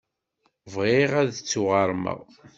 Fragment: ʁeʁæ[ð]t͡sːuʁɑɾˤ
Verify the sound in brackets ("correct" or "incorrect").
correct